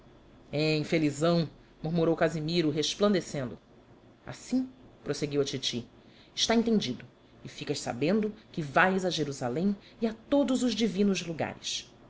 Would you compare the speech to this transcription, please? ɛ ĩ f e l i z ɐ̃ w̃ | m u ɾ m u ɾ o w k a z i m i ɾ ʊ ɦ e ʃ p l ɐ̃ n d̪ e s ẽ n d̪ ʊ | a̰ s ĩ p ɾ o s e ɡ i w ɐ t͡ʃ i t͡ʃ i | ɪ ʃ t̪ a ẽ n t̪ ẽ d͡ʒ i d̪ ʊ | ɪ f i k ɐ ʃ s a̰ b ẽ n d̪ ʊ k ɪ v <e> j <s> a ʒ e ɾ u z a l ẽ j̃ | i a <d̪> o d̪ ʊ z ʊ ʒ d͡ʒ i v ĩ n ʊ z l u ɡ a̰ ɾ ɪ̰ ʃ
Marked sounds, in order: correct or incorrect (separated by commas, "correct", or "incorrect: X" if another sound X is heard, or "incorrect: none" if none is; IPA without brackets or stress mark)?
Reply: incorrect: a, incorrect: z, incorrect: t̪